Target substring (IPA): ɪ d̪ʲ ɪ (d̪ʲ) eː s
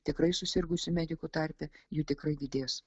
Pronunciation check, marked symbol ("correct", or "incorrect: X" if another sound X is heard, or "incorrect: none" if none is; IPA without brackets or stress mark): correct